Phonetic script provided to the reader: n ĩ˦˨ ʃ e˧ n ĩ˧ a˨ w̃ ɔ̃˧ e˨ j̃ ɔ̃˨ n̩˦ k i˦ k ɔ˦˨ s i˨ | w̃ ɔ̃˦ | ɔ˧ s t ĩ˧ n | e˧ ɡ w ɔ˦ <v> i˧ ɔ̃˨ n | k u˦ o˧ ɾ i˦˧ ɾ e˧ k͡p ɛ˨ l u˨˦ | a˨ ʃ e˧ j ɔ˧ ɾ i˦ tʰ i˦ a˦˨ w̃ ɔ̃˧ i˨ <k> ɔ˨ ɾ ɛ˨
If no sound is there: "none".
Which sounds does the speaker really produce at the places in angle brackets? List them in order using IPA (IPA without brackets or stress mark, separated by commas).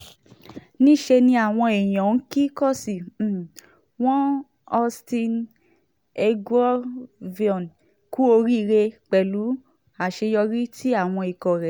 v, k